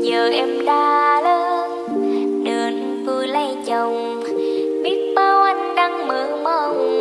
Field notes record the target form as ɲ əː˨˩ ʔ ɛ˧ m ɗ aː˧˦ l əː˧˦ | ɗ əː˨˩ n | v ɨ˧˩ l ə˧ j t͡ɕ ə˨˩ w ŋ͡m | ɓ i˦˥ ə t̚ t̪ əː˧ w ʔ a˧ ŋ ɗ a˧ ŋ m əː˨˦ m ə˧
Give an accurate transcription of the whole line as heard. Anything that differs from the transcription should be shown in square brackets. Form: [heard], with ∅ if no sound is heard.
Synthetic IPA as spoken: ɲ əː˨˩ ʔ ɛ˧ m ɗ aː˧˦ l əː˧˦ | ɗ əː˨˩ n | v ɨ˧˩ l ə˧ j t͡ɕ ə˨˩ w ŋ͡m | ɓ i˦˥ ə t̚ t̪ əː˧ w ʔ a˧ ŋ ɗ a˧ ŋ m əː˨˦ m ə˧